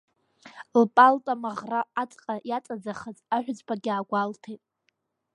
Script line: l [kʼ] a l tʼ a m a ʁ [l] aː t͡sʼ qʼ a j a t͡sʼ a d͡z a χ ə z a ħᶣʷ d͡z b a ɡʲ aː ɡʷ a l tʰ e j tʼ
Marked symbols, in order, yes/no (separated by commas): no, no